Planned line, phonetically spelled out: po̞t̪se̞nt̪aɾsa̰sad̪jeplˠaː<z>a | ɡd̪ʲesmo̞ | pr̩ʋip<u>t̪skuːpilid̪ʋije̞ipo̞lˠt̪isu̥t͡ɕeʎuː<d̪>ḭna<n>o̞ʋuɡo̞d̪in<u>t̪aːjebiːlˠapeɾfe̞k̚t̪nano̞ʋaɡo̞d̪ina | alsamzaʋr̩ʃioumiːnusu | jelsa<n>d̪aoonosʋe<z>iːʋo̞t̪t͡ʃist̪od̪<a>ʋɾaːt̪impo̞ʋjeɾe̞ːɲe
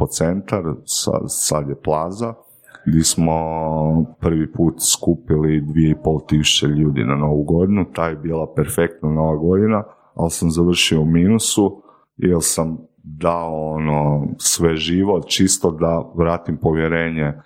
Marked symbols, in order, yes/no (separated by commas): yes, no, yes, yes, yes, no, no, yes